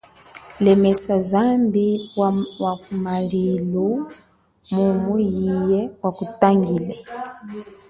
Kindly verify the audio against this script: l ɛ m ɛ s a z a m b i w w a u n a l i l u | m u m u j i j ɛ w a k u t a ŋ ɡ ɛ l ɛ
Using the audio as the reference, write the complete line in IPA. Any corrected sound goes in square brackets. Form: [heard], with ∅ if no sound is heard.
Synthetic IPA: l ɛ m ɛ s a z a m b i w w a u [m] a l i l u | m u m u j i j ɛ w a k u t a ŋ ɡ [i] l ɛ